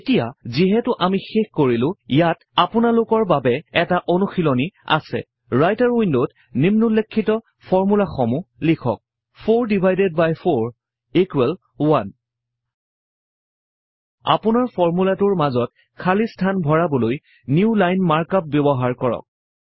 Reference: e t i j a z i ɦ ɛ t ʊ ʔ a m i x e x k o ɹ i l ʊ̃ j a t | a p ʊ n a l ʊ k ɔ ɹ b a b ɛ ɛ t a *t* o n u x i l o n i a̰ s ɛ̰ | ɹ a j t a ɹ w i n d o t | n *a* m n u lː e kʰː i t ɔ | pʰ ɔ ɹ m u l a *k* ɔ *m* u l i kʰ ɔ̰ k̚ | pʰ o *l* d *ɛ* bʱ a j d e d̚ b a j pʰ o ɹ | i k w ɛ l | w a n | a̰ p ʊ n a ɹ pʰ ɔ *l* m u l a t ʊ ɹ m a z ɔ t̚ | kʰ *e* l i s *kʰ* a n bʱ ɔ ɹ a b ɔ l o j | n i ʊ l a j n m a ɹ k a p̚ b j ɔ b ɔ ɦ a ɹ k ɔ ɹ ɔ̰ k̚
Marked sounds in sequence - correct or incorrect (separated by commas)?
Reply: incorrect, incorrect, incorrect, correct, incorrect, incorrect, incorrect, incorrect, incorrect